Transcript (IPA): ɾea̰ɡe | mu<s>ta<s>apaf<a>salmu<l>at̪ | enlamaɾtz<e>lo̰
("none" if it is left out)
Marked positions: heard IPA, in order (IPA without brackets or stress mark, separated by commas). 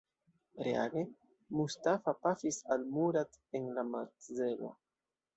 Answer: s, f, i, ɾ, e